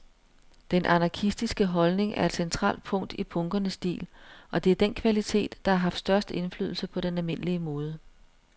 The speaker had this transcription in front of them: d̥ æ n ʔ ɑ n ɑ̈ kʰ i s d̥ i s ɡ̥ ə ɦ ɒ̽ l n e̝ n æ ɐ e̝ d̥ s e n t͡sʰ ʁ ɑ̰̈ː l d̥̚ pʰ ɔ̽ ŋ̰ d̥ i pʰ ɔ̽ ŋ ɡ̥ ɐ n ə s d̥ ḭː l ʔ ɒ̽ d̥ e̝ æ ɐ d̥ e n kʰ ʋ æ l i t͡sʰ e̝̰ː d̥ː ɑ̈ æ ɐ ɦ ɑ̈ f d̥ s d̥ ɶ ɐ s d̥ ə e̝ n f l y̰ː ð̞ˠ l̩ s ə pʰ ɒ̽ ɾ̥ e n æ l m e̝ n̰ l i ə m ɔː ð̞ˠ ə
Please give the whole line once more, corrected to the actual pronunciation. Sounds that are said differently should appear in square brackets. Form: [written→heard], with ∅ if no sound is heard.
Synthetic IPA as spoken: d̥ [æ→e] n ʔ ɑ n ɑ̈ kʰ i s d̥ i s ɡ̥ ə ɦ ɒ̽ l n e̝ [n→ŋ] æ ɐ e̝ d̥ s e n t͡sʰ ʁ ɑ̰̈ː l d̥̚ pʰ ɔ̽ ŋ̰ d̥ i pʰ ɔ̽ ŋ ɡ̥ ɐ n ə s d̥ ḭː l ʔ ɒ̽ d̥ e̝ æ ɐ d̥ e n kʰ ʋ æ l i t͡sʰ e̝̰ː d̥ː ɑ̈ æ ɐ ɦ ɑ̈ f d̥ s d̥ ɶ ɐ s d̥ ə e̝ n f l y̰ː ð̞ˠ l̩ s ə pʰ ɒ̽ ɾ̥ e n æ l m e̝ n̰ l i ə m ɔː ð̞ˠ ə